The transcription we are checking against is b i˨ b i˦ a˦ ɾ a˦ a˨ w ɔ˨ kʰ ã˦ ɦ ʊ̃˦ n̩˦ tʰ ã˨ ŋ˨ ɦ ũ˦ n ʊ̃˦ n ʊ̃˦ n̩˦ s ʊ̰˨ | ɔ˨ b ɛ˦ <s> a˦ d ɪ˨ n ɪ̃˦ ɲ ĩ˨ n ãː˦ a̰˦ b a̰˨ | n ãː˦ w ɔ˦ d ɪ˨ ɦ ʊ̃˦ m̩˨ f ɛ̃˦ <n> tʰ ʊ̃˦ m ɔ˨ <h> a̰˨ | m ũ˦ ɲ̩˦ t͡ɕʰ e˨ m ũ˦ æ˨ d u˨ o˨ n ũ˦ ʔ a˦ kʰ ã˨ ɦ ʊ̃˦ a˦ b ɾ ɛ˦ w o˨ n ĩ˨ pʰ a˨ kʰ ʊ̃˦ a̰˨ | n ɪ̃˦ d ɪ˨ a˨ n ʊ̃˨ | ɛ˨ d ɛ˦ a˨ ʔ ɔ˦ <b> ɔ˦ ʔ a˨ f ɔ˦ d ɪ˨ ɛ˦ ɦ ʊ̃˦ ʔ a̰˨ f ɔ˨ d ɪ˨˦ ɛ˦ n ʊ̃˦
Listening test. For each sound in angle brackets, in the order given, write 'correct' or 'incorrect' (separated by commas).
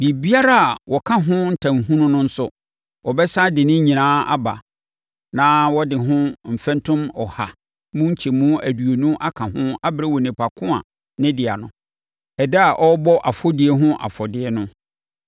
correct, correct, correct, correct